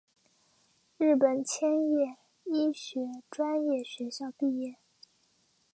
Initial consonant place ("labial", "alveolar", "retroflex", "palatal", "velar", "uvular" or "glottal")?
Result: retroflex